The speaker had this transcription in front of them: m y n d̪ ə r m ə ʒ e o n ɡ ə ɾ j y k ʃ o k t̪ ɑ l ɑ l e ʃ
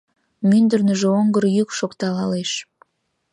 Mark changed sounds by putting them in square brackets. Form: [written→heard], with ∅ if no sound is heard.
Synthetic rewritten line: m y n d̪ ə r [m→n] ə ʒ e o [n→ŋ] ɡ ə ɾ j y k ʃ o k t̪ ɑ l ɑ l e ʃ